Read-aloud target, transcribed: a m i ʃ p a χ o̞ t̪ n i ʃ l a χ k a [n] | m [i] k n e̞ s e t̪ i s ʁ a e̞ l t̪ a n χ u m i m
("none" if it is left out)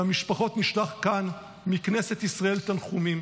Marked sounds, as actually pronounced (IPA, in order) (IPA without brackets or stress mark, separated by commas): n, i